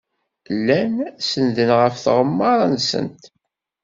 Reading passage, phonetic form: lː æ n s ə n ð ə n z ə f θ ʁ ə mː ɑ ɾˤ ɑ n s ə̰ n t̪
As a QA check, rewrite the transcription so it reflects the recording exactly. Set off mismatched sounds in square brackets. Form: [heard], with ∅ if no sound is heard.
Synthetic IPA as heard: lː æ n s ə n ð ə n [ʁ] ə f θ ʁ ə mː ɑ ɾˤ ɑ n s ə̰ n t̪